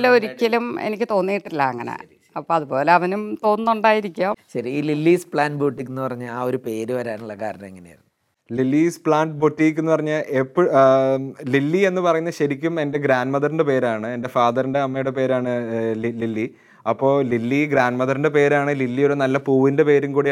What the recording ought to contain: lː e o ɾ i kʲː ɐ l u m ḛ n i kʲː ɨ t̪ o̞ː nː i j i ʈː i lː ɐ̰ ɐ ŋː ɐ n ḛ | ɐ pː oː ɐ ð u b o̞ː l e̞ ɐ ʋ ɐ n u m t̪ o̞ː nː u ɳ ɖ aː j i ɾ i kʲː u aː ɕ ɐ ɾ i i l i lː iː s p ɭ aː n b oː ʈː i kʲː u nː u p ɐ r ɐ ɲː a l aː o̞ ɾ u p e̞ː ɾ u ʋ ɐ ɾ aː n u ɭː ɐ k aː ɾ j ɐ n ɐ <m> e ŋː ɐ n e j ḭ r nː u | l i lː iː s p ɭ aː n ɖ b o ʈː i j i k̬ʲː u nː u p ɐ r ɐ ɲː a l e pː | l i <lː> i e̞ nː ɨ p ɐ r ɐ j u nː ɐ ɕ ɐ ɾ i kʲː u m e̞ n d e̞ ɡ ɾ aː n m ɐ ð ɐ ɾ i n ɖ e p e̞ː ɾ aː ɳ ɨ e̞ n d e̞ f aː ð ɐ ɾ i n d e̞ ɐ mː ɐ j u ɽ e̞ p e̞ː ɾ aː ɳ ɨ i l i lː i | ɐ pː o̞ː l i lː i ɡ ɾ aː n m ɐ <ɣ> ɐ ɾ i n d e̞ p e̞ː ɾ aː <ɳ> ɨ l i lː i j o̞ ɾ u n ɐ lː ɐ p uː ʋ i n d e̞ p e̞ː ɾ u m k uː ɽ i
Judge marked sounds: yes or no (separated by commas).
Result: yes, yes, no, yes